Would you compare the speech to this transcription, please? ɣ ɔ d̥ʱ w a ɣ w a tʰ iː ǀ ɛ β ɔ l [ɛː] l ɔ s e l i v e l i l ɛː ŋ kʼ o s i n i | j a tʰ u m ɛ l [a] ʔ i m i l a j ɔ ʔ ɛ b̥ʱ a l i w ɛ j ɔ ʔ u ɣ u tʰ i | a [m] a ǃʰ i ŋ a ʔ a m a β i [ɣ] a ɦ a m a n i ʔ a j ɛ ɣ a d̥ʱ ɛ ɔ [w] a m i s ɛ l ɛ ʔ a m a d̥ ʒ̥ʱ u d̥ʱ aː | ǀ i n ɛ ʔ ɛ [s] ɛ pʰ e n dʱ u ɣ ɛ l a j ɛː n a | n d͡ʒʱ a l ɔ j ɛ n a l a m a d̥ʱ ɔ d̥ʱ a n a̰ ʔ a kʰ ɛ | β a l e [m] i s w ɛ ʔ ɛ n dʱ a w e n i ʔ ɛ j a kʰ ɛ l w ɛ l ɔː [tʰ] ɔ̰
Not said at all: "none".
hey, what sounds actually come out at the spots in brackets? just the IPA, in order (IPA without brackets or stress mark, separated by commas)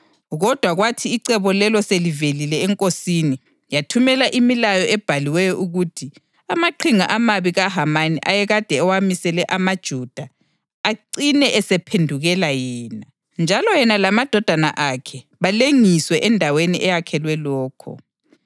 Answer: ɛ, a, m, ɣ, w, s, ŋ, kʰ